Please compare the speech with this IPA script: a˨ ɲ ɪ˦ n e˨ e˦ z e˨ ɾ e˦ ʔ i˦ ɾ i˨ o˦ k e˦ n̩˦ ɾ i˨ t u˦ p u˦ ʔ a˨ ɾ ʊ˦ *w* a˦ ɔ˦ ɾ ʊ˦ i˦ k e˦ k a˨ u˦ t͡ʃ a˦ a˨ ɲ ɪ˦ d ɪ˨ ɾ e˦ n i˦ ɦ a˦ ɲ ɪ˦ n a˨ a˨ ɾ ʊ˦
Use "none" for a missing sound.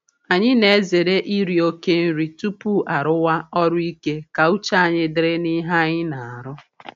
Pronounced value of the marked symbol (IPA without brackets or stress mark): w